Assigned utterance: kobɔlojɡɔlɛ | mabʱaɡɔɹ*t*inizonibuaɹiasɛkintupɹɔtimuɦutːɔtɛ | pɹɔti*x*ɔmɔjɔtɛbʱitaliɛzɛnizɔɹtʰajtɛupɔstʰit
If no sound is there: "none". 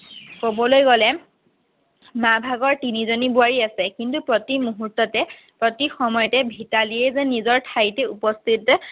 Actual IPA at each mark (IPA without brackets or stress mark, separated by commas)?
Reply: t, x